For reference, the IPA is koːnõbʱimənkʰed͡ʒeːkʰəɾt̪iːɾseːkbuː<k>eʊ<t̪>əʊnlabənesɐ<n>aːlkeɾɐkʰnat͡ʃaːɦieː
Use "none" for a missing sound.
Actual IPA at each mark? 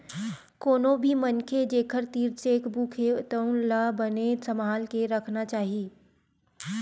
kʰ, t̪, m

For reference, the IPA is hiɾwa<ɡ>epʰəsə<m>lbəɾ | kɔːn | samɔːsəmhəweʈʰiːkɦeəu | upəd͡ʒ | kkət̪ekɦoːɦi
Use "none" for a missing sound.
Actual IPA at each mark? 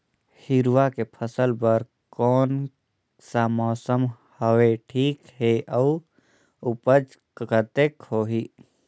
k, none

